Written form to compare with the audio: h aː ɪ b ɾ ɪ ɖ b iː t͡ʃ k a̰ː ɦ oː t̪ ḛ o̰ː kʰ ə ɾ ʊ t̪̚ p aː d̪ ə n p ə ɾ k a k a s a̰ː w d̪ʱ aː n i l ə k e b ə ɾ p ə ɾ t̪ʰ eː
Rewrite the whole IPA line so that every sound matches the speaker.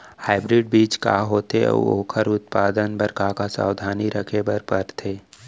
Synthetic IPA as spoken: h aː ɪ b ɾ ɪ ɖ b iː t͡ʃ k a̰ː ɦ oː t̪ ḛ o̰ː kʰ ə ɾ ʊ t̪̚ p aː d̪ ə n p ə ɾ k a k a s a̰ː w d̪ʱ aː n i ɾ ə kʰ e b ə ɾ p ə ɾ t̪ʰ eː